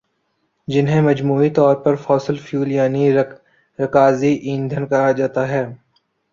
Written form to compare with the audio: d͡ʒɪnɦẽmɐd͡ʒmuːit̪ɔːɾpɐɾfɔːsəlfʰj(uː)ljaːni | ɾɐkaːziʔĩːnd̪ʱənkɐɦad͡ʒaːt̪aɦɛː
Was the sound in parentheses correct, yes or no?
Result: yes